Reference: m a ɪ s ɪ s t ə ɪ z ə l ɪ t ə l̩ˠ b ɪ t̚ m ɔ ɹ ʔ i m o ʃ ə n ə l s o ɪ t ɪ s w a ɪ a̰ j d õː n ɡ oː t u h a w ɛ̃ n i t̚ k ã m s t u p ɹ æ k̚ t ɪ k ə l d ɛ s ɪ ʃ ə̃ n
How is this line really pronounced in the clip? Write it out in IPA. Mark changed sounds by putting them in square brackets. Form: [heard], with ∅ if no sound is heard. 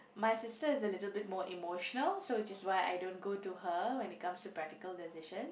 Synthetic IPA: m a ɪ s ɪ s t ə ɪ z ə l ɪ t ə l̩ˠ b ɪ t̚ m ɔ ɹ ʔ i m o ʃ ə n ə l s o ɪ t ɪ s w a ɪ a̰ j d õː n ɡ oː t u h [ə] w ɛ̃ n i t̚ k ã m s t u p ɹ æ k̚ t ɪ k ə l d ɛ s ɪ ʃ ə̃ n